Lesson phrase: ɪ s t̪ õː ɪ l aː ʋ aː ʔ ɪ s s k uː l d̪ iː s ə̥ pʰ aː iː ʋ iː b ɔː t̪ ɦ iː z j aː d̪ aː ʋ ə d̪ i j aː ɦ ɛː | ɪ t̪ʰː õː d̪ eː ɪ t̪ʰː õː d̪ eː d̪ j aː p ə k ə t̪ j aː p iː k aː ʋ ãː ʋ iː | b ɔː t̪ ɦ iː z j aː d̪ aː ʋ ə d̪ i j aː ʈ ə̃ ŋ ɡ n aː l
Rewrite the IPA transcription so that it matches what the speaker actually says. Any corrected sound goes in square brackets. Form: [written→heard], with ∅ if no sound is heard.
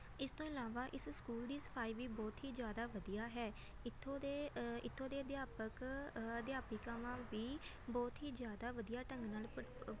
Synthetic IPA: ɪ s t̪ õː ɪ l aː ʋ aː ʔ ɪ s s k uː l d̪ iː s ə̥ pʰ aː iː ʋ iː b ɔː t̪ ɦ iː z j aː d̪ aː ʋ ə d̪ i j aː ɦ ɛː | ɪ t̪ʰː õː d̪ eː ɪ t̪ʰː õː d̪ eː d̪ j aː p ə k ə [t̪→d̪] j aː p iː k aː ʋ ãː ʋ iː | b ɔː t̪ ɦ iː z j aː d̪ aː ʋ ə d̪ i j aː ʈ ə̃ ŋ ɡ n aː l